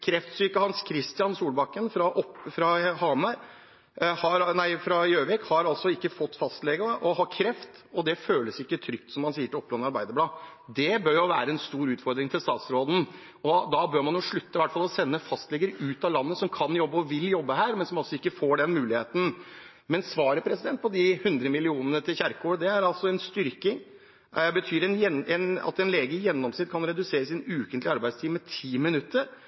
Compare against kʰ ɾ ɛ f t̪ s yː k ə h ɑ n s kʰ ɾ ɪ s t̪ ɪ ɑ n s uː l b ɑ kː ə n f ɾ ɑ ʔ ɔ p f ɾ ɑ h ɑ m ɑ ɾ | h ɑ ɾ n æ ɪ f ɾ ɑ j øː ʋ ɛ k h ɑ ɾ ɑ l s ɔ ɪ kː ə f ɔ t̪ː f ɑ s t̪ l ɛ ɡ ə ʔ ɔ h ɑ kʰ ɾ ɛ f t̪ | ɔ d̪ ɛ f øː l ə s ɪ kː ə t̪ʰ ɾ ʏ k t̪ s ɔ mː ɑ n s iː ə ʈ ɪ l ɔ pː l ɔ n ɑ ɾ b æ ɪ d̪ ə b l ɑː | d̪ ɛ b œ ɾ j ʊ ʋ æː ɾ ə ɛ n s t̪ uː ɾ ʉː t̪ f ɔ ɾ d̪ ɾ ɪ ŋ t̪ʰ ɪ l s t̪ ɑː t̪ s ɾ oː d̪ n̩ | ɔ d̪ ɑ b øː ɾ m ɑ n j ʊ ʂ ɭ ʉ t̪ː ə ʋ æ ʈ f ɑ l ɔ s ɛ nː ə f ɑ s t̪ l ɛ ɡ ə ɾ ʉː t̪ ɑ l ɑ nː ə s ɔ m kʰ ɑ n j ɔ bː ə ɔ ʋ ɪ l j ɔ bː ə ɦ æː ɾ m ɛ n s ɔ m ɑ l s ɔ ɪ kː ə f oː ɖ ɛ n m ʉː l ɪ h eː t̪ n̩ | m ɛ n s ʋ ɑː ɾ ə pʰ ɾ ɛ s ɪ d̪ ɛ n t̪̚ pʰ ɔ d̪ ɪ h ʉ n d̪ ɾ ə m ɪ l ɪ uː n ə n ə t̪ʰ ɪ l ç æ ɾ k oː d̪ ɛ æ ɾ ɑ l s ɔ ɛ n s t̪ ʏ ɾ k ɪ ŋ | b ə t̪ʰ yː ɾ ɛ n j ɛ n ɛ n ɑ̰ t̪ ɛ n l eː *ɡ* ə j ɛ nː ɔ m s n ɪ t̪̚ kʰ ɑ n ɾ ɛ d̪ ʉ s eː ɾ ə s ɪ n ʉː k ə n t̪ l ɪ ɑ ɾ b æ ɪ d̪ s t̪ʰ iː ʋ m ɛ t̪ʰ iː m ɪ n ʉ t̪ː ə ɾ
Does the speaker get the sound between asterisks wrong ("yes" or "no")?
no